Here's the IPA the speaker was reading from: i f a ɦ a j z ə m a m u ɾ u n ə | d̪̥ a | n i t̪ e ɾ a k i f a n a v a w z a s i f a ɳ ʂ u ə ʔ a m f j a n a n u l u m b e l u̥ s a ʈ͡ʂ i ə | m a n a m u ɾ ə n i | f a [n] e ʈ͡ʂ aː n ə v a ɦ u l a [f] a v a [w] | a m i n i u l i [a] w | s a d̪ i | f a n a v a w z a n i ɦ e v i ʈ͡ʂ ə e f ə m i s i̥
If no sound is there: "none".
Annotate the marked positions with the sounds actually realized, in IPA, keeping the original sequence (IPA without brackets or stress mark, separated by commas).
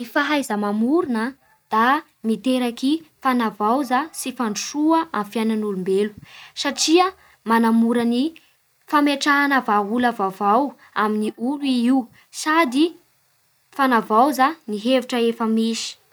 m, v, w, i